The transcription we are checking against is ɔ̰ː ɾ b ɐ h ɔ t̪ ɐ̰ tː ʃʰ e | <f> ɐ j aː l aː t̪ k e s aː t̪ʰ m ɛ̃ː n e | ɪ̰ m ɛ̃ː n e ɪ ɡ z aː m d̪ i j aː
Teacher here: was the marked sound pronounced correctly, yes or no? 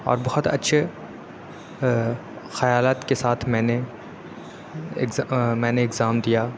no